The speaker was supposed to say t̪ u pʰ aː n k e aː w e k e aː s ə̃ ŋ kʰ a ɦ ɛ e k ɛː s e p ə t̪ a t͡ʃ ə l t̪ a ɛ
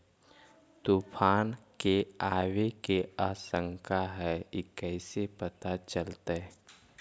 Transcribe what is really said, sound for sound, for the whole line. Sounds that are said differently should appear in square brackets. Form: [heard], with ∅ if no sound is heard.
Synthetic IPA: t̪ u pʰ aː n k e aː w e k e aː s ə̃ ŋ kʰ a ɦ ɛ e k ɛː s e p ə t̪ a t͡ʃ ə l t̪ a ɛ